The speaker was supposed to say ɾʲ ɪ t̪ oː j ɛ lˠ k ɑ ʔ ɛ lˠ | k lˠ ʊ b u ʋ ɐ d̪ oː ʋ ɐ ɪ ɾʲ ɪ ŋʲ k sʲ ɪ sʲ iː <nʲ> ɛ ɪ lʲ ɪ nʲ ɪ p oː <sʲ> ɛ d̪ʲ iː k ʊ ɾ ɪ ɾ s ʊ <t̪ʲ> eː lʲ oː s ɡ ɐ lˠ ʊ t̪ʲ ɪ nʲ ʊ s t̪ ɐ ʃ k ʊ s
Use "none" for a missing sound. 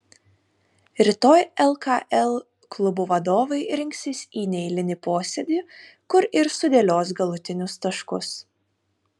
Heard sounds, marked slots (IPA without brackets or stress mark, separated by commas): nʲ, sʲ, d̪ʲ